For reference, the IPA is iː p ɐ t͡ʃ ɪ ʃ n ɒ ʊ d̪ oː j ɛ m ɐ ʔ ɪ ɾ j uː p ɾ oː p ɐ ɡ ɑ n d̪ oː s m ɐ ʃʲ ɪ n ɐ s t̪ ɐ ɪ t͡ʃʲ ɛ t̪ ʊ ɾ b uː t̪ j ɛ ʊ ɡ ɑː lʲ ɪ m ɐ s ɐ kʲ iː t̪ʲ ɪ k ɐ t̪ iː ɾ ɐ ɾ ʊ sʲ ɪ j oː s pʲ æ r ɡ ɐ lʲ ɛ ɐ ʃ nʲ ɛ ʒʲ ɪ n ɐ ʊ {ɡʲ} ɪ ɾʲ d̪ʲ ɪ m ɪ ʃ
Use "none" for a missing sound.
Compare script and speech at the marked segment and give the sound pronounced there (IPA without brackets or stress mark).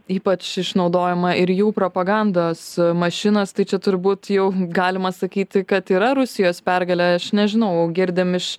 ɡʲ